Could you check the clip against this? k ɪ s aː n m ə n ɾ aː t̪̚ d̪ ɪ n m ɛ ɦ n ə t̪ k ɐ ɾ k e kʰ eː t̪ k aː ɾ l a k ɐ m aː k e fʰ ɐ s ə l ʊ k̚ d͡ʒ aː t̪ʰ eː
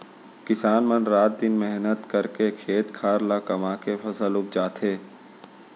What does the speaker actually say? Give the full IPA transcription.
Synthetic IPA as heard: k ɪ s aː n m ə n ɾ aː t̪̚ d̪ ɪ n m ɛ ɦ n ə t̪ k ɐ ɾ k e kʰ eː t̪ kʰ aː ɾ l a k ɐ m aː k e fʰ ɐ s ə l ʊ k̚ d͡ʒ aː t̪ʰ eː